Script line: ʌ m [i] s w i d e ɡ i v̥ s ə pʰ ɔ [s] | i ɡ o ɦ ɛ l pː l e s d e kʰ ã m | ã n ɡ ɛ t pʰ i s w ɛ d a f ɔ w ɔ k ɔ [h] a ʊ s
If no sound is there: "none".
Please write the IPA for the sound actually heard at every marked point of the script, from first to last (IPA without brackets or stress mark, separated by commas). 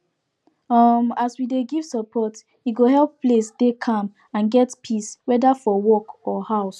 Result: a, t, h